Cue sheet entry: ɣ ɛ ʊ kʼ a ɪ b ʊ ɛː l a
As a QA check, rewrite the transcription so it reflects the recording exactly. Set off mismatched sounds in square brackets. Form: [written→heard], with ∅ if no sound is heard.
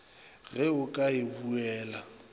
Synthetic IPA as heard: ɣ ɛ ʊ kʼ a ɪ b [ʊ→u] ɛː l a